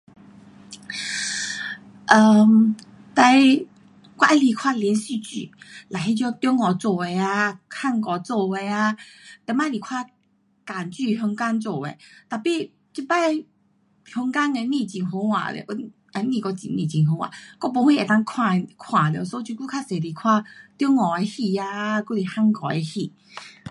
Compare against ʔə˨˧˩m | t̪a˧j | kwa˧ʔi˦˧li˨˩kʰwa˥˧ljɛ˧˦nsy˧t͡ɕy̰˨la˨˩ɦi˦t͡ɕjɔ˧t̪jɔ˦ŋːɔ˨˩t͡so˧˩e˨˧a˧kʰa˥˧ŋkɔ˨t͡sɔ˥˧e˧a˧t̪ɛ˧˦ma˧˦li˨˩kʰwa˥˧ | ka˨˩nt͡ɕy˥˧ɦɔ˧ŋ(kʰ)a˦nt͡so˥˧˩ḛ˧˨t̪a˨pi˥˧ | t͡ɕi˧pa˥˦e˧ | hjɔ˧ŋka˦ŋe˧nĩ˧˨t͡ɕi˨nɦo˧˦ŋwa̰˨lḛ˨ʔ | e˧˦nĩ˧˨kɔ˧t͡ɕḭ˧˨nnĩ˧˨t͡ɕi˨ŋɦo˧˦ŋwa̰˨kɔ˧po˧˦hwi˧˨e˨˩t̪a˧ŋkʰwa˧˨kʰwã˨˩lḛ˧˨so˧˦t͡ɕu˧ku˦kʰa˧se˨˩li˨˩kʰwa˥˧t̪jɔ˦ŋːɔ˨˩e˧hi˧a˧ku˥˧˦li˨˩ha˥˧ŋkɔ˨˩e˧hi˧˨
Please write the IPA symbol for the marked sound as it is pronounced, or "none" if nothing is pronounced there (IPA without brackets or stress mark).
k